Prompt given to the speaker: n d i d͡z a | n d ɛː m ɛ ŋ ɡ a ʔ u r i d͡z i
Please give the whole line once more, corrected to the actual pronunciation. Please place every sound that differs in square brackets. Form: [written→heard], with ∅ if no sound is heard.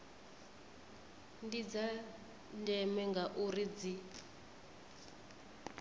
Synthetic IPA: n d i d͡z a | n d [ɛː→ɛ] m ɛ ŋ ɡ a ʔ u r i d͡z i